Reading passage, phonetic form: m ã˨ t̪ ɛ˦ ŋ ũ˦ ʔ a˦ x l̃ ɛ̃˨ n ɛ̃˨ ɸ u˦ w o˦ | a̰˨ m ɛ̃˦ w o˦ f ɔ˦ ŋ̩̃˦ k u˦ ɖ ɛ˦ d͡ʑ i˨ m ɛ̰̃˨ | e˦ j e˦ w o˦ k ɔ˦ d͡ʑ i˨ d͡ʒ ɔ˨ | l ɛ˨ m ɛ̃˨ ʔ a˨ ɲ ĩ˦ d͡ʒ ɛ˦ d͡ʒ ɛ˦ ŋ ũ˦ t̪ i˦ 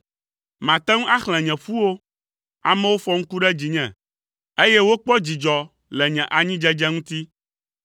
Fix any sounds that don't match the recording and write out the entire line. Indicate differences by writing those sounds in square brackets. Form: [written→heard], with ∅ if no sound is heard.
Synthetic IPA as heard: m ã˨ t̪ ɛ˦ ŋ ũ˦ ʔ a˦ x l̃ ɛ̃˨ [n→ɲ] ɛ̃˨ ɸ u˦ w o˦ | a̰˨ m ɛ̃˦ w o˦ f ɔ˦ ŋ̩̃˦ k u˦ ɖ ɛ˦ d͡ʑ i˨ [m→ɲ] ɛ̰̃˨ | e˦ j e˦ w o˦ [k→k͡p] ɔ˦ d͡ʑ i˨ d͡ʒ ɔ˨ | l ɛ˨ [m→ɲ] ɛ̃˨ ʔ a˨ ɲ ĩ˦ d͡ʒ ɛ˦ d͡ʒ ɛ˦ ŋ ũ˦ t̪ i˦